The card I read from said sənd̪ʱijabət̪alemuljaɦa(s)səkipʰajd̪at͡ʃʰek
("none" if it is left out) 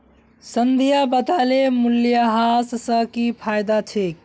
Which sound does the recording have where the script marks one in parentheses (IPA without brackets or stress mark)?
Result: s